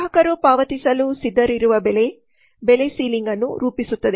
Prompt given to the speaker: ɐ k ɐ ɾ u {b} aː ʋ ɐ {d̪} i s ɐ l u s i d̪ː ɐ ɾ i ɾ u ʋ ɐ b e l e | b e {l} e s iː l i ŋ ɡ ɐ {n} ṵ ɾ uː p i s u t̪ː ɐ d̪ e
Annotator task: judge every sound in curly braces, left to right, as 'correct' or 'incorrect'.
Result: incorrect, incorrect, correct, incorrect

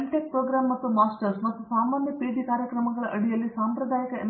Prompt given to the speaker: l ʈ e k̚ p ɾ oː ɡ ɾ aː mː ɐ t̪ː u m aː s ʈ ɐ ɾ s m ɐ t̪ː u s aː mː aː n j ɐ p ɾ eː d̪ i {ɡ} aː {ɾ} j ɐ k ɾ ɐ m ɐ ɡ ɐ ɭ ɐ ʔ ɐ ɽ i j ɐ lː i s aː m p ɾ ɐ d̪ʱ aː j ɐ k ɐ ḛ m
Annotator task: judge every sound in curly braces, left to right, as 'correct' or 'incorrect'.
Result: incorrect, correct

